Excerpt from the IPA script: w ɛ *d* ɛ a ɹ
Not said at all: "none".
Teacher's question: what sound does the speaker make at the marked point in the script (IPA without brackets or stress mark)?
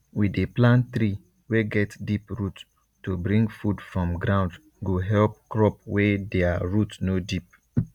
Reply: d